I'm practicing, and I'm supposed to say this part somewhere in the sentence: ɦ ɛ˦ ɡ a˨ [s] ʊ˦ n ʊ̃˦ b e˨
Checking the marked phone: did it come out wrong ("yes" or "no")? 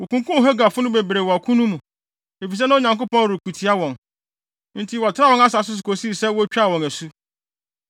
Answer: yes